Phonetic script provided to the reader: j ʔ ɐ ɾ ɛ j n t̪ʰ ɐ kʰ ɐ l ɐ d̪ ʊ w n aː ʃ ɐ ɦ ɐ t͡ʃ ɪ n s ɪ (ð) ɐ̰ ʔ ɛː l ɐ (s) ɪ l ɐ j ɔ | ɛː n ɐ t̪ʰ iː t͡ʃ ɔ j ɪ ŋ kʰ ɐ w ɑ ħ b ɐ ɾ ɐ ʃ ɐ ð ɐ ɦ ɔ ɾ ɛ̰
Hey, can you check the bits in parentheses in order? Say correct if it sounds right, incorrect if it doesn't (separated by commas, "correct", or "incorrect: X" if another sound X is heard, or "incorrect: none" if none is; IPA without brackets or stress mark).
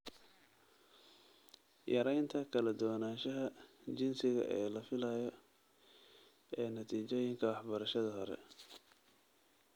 incorrect: ɣ, incorrect: f